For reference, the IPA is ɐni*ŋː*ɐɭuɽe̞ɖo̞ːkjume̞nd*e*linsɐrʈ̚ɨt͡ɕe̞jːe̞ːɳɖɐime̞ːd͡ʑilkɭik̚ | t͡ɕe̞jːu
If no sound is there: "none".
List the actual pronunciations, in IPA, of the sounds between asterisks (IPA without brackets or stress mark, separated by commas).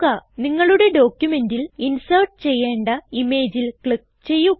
ŋː, i